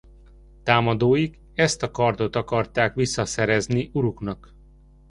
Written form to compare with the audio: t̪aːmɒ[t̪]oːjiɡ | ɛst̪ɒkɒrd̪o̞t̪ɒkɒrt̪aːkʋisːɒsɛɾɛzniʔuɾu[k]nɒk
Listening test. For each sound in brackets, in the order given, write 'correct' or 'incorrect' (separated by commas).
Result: incorrect, correct